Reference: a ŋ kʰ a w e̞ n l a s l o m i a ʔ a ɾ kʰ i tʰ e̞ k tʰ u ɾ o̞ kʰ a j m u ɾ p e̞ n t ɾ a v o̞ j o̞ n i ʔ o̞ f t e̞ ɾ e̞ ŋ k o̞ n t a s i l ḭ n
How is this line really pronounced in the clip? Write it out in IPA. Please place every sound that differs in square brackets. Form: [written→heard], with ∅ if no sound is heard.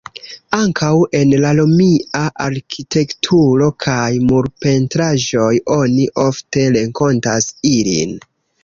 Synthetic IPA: a ŋ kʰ a w e̞ n l a [s→∅] l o m i a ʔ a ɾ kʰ i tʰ e̞ k tʰ u ɾ o̞ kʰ a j m u ɾ p e̞ n t ɾ a [v→ʒ] o̞ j o̞ n i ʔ o̞ f t e̞ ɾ e̞ ŋ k o̞ n t a s i l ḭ n